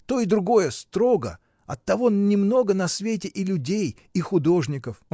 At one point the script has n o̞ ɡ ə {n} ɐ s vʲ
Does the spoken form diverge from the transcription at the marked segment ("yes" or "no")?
no